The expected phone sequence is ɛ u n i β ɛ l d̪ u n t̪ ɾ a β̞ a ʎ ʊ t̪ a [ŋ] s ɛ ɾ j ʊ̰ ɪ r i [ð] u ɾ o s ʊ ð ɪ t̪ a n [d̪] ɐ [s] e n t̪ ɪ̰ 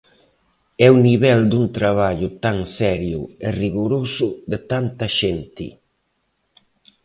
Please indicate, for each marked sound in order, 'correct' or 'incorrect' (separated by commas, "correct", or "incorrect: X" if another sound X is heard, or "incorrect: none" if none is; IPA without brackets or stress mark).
correct, incorrect: ɣ, incorrect: t̪, incorrect: ʃ